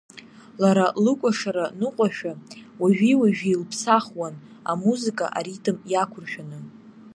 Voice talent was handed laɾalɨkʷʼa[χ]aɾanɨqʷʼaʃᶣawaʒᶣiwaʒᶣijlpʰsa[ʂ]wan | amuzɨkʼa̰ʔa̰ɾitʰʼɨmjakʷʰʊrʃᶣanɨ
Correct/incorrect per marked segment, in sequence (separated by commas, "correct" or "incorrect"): incorrect, incorrect